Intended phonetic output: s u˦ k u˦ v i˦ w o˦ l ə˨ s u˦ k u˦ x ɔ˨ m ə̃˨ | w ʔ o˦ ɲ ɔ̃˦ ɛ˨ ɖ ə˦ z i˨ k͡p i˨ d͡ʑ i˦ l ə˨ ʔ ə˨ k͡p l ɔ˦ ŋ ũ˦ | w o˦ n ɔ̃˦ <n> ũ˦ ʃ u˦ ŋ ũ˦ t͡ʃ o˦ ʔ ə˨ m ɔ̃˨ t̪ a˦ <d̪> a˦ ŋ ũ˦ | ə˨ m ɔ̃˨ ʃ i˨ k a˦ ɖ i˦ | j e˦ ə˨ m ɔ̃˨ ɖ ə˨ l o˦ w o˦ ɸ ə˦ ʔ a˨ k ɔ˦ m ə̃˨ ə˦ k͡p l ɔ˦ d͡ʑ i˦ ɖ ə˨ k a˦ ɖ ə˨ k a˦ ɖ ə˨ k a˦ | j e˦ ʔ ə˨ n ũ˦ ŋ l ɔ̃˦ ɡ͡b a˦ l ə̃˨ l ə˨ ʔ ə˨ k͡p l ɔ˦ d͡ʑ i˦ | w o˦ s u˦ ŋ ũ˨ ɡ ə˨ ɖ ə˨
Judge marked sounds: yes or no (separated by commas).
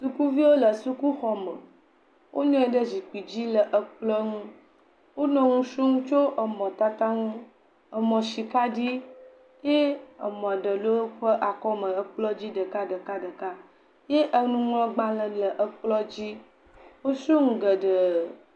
no, no